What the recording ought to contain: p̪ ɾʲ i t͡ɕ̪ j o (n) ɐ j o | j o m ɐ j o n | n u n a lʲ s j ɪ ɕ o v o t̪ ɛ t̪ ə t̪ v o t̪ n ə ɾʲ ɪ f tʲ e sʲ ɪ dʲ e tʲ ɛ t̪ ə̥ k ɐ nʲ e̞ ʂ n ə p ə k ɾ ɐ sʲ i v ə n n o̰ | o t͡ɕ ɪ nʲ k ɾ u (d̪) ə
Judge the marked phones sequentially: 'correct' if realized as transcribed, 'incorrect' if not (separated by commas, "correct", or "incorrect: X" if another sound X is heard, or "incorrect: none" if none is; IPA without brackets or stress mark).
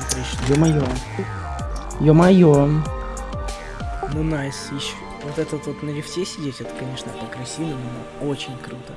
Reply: incorrect: m, incorrect: t̪